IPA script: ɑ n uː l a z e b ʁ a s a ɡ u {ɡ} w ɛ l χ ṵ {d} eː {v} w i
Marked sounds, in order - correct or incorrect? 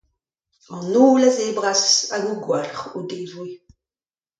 correct, correct, correct

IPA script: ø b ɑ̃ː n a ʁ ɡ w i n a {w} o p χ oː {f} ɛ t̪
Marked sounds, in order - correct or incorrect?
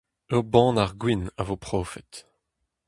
incorrect, correct

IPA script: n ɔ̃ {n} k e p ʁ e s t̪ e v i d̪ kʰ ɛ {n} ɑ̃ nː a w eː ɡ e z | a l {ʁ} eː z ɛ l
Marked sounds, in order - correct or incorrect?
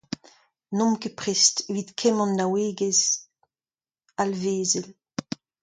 incorrect, incorrect, incorrect

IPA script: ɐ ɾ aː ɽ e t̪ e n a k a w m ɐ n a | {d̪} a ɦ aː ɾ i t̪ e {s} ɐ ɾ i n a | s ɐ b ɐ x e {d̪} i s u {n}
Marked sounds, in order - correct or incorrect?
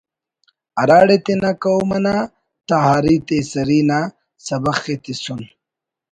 incorrect, correct, incorrect, correct

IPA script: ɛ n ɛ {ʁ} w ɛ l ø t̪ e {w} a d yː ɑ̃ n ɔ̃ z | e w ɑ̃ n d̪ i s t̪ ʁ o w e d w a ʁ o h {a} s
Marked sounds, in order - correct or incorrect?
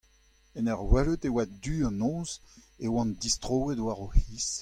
correct, correct, incorrect

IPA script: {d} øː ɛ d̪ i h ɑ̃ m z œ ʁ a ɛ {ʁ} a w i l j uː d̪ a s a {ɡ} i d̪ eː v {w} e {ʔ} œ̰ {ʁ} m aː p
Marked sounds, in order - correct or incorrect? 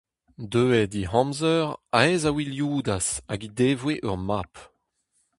correct, incorrect, correct, correct, correct, correct

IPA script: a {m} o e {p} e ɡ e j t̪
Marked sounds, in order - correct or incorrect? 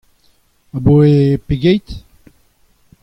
incorrect, correct

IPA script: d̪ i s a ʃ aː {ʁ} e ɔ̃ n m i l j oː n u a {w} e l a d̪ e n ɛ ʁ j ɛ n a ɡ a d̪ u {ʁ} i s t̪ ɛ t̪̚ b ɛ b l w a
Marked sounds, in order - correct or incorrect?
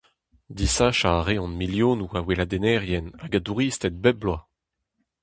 correct, correct, correct

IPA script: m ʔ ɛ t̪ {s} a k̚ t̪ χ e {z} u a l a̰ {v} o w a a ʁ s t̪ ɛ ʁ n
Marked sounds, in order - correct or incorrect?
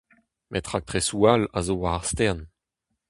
incorrect, incorrect, incorrect

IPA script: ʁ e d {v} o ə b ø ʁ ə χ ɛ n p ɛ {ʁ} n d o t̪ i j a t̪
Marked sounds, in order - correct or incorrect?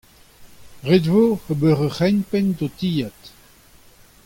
correct, incorrect

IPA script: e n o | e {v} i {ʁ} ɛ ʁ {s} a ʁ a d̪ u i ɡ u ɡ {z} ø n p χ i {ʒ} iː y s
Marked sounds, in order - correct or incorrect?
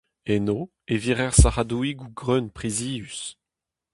correct, correct, correct, incorrect, incorrect

